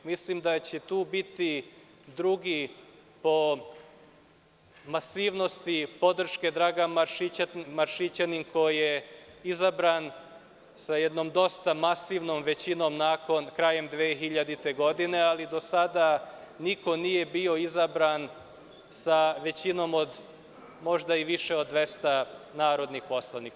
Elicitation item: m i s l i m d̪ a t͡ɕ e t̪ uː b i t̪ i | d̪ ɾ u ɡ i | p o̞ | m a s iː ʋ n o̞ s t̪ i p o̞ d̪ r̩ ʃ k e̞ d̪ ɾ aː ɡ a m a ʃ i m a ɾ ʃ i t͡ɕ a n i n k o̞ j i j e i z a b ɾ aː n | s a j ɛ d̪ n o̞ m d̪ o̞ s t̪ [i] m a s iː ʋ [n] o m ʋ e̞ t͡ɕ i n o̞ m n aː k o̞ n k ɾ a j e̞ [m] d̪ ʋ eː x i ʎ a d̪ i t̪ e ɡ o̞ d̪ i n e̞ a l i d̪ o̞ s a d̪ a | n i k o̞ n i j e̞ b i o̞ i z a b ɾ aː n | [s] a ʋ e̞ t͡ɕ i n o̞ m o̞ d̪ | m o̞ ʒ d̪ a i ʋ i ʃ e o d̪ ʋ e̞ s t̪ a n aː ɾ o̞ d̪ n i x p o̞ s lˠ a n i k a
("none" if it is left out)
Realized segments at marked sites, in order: a, n, m, s

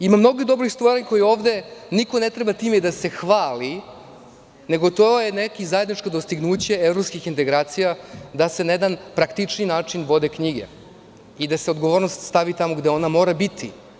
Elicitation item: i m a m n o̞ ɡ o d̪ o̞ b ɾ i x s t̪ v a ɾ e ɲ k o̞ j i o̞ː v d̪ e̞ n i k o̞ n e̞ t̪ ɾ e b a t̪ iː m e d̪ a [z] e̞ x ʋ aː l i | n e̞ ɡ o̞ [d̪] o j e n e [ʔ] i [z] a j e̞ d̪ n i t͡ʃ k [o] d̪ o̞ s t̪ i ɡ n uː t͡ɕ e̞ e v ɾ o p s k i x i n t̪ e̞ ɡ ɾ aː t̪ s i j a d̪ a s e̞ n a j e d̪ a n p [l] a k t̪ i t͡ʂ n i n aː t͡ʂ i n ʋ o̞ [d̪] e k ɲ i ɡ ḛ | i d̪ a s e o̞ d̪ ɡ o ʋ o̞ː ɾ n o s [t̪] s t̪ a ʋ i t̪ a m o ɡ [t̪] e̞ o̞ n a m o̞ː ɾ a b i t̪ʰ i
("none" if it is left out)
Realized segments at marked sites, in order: s, t̪, k, z, o, ɾ, d̪, t̪, d̪

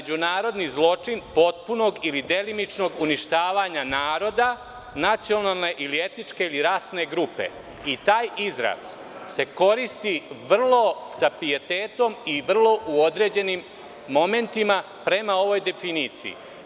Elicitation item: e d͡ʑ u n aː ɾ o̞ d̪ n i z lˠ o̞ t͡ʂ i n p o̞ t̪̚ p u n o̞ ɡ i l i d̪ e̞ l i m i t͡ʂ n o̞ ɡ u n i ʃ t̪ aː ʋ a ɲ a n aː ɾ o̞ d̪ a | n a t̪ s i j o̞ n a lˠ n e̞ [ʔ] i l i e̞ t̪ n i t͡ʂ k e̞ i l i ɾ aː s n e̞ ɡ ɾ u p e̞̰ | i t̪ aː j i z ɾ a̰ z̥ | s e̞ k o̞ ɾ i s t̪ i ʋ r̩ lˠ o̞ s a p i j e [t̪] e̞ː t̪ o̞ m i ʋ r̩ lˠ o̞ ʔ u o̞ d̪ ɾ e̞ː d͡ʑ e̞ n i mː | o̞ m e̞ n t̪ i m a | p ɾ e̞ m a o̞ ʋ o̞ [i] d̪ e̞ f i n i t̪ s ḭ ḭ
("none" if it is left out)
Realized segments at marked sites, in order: ʔ, t̪, j

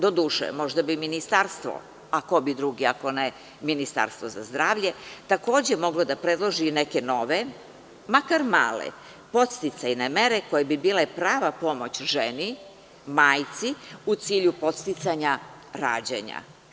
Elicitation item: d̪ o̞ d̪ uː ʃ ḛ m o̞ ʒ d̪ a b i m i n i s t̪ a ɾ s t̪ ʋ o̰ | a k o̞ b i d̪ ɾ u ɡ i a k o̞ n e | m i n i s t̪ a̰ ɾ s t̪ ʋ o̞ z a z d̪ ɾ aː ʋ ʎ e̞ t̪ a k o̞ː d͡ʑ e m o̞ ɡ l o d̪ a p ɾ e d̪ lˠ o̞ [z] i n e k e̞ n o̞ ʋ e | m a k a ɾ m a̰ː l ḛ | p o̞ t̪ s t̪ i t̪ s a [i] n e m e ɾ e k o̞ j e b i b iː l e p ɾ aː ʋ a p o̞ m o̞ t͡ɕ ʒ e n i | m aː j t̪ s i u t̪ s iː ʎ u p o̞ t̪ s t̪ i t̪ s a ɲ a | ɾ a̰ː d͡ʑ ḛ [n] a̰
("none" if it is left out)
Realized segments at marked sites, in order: ʒ, j, ɲ

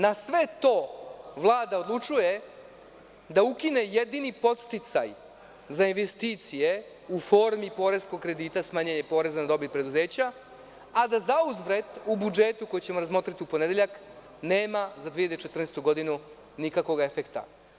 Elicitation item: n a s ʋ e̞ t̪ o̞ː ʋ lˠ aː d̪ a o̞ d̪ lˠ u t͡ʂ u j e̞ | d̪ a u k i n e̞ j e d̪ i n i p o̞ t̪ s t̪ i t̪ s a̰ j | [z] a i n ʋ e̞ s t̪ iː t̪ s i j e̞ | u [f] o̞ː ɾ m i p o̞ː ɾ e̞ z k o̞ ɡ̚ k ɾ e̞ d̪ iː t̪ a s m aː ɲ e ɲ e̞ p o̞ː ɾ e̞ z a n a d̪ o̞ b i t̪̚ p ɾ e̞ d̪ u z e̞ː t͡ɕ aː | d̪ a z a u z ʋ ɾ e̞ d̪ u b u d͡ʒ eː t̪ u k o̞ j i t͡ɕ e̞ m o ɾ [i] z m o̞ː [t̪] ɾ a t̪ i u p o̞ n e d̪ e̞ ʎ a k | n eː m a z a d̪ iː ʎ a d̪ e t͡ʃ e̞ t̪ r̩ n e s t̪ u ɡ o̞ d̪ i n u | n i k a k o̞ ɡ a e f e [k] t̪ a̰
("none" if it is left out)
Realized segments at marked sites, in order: z, f, a, t̪, k

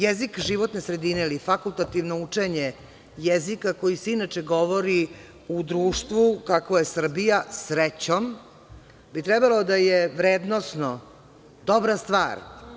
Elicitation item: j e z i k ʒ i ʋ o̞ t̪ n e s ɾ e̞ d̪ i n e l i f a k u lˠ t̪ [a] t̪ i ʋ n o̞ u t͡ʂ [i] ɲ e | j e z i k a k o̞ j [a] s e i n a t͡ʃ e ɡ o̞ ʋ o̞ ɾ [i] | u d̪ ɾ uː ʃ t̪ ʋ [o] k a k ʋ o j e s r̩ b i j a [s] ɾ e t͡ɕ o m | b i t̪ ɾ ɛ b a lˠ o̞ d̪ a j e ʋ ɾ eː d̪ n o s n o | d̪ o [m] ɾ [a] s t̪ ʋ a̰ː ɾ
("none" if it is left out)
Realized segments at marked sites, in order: a, e, i, i, u, s, b, a

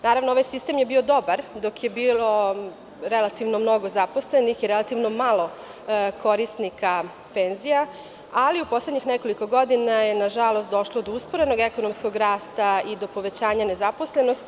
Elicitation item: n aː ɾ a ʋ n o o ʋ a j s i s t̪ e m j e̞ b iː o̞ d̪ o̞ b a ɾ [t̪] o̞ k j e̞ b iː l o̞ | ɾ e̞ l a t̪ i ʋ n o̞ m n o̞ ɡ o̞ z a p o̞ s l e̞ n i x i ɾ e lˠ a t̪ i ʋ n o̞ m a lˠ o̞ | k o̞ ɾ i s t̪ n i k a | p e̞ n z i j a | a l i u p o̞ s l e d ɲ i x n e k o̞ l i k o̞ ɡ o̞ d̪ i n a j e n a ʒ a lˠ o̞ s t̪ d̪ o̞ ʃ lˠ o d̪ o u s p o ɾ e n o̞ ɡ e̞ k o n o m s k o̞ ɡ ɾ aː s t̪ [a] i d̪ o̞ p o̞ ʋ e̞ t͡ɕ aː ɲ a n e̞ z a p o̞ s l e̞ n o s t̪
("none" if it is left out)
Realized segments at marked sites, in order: d̪, a

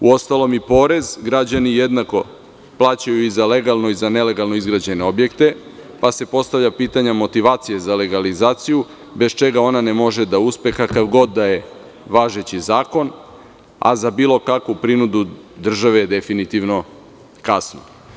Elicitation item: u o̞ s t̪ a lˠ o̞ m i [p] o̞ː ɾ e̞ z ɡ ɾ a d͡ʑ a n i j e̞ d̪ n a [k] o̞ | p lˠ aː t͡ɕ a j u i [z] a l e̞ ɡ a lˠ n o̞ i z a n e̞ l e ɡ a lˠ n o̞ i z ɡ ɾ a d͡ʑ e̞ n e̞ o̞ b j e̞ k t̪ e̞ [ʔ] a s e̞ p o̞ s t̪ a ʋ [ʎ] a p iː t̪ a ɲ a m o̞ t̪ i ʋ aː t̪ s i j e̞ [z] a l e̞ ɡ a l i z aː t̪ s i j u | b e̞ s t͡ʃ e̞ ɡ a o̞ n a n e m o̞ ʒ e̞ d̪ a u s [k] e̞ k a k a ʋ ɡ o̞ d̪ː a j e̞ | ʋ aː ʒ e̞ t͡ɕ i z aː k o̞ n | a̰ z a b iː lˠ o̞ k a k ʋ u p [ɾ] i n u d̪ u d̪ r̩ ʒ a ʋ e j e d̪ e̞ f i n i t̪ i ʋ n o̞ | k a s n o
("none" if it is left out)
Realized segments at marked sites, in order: p, k, z, p, ʎ, z, p, ɾ

